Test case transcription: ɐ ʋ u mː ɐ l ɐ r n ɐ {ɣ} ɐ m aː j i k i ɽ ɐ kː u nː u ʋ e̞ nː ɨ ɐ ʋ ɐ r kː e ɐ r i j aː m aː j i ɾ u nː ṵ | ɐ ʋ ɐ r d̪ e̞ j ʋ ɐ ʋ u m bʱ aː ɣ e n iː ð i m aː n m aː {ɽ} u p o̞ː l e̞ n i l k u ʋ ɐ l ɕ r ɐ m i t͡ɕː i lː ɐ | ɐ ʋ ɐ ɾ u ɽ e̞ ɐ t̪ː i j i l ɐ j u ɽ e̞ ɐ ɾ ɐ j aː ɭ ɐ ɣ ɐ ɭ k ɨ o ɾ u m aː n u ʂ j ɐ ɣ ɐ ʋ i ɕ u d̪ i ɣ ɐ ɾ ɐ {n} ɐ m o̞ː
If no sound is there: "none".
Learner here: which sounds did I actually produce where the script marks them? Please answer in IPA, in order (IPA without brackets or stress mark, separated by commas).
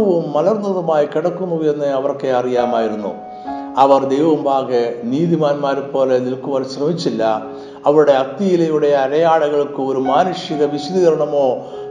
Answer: ð, ɾ, ɳ